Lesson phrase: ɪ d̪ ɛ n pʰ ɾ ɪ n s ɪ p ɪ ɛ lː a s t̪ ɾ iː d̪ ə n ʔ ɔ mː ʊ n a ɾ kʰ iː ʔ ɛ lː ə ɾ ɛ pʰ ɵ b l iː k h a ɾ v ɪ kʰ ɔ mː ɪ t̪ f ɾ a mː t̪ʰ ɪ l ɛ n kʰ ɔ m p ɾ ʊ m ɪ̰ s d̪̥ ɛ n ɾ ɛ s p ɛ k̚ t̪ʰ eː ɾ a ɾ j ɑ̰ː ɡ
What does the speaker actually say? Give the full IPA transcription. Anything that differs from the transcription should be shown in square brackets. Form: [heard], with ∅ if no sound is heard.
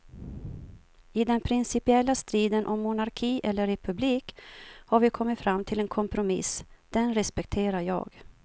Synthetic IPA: ɪ d̪ ɛ n pʰ ɾ ɪ n s ɪ p ɪ ɛ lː a s t̪ ɾ iː d̪ ə n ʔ ɔ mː ʊ n a ɾ kʰ iː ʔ ɛ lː ə ɾ ɛ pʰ ɵ b l iː k h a ɾ v ɪ kʰ ɔ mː ɪ t̪ f ɾ a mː t̪ʰ ɪ l ɛ n kʰ ɔ m p ɾ ʊ m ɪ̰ s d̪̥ ɛ n ɾ ɛ s p ɛ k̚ t̪ʰ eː ɾ a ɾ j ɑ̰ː ɡ